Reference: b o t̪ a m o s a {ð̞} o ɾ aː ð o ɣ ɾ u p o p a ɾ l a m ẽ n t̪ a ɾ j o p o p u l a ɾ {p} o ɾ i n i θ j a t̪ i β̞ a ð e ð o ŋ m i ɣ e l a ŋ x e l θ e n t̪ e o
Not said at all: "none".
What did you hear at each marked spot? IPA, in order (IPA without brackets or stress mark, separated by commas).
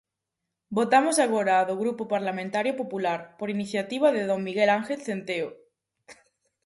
ɣ̞, p